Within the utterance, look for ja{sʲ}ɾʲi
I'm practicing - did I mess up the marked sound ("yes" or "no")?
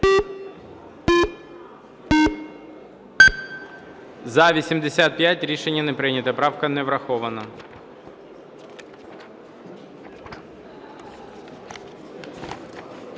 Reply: yes